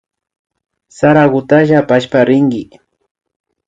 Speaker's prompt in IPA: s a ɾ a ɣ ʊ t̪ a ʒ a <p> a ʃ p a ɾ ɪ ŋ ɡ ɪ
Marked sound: correct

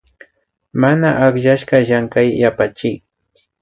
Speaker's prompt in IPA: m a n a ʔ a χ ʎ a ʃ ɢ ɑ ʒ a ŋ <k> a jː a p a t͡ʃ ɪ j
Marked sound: correct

